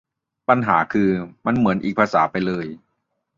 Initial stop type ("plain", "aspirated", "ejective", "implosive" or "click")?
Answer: plain